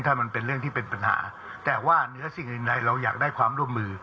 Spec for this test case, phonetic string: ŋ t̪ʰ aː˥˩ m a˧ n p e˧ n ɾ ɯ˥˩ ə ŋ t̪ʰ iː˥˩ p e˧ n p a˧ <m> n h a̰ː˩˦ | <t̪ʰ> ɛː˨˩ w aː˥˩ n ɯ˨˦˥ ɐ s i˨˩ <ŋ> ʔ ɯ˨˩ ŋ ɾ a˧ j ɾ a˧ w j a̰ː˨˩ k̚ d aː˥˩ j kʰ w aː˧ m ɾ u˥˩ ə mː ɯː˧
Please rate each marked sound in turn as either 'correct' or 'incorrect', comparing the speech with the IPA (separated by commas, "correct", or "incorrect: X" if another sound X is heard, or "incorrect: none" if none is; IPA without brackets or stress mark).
incorrect: none, incorrect: t̪, correct